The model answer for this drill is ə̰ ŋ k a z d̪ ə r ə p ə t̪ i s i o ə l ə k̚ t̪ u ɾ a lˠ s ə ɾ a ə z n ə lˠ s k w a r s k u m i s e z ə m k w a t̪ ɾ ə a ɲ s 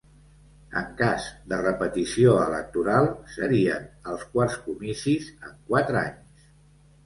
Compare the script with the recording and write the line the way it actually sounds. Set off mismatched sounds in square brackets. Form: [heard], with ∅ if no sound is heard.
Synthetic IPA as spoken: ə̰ ŋ k a z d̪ ə r ə p ə t̪ i s i o ə l ə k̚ t̪ u ɾ a lˠ s ə ɾ [i] ə [∅] n ə lˠ s k w a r s k u m i s [i] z ə [ŋ] k w a t̪ ɾ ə a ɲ s